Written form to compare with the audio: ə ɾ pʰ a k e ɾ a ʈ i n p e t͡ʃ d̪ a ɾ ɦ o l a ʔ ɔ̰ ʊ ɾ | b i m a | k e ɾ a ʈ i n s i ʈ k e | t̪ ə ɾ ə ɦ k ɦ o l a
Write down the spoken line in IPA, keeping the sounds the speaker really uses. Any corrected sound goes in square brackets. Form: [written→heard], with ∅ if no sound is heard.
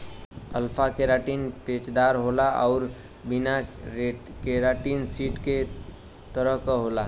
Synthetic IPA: ə [ɾ→l] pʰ a k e ɾ a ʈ i n p e t͡ʃ d̪ a ɾ ɦ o l a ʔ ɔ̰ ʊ ɾ | b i [m→n] a | k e ɾ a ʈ i n s i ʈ k e | t̪ ə ɾ ə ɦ k ɦ o l a